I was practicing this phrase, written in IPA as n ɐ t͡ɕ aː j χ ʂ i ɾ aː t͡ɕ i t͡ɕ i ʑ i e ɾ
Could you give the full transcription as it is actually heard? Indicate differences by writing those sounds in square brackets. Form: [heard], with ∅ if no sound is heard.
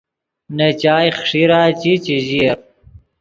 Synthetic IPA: n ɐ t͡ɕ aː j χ ʂ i ɾ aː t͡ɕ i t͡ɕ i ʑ i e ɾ

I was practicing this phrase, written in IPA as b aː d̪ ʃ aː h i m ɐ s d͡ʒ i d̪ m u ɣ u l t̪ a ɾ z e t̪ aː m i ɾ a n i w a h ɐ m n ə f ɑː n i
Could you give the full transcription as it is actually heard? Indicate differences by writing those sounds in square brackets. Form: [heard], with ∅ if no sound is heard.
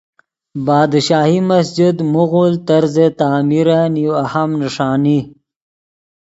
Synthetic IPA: b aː d̪ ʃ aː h i m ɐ s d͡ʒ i d̪ m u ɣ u l t̪ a ɾ z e t̪ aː m i ɾ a n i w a h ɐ m n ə [ʂ] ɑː n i

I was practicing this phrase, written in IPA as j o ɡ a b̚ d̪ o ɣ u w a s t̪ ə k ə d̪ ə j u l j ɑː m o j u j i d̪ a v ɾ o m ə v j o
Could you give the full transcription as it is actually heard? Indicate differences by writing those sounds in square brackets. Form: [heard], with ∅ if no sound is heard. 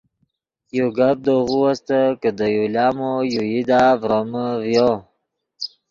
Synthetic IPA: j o ɡ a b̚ d̪ o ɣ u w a s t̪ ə k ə d̪ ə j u l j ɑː m o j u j i d̪ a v ɾ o m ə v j o

